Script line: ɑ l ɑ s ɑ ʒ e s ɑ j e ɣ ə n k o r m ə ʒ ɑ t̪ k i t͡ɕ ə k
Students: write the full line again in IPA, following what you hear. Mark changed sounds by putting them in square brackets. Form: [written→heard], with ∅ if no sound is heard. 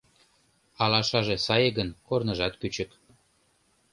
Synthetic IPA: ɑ l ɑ [s→ʃ] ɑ ʒ e s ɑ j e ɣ ə n k o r [m→n] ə ʒ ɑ t̪ k [i→y] t͡ɕ ə k